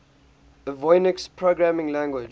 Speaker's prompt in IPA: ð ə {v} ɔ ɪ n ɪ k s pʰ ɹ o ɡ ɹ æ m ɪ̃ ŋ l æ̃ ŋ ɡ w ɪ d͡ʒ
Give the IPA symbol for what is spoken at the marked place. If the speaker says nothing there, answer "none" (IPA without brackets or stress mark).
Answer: v